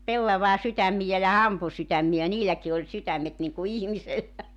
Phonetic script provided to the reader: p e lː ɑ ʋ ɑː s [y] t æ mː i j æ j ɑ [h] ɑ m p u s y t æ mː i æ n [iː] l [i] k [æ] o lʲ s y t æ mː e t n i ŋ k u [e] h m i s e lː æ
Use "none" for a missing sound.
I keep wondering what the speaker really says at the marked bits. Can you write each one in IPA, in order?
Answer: y, h, iː, æ, i, i

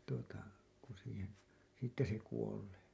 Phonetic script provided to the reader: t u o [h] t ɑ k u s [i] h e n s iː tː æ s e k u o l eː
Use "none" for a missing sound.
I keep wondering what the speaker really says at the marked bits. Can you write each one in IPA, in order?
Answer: none, iː

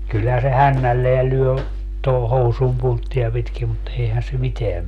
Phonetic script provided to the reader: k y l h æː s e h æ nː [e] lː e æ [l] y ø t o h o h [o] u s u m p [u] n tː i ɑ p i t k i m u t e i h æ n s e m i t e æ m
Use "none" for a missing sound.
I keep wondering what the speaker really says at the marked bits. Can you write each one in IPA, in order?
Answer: æ, l, o, u

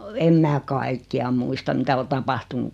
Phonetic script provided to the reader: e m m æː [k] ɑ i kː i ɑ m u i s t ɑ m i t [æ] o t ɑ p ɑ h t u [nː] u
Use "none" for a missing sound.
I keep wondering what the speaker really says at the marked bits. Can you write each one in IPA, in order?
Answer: k, æ, n

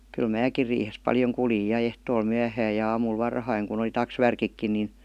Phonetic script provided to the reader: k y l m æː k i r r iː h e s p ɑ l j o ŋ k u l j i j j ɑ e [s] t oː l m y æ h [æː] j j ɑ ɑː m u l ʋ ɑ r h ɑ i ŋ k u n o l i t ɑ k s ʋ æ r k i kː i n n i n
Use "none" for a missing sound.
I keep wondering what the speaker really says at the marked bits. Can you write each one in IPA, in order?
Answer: h, æː

